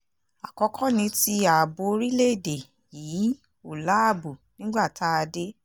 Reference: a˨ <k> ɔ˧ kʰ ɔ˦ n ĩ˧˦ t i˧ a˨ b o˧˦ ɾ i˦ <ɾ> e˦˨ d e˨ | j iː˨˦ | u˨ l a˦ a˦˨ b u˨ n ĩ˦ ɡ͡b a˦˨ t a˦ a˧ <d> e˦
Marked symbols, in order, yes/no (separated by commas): yes, no, yes